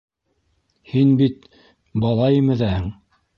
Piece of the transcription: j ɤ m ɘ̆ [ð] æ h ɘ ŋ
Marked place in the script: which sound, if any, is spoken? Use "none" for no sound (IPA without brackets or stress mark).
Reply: ð